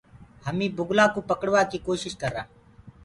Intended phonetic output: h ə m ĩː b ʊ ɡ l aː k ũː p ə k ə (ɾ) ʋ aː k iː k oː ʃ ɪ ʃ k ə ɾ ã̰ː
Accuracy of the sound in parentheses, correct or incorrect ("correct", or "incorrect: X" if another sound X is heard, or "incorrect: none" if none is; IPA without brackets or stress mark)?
incorrect: ɽ